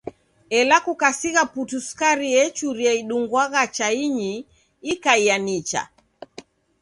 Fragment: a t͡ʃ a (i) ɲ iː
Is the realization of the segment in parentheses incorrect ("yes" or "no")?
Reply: no